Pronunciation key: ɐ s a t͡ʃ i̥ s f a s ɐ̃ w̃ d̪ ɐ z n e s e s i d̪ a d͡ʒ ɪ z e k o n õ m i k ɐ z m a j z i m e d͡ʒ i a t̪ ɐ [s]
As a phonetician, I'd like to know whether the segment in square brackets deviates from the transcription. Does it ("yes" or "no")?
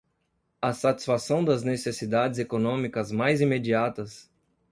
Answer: no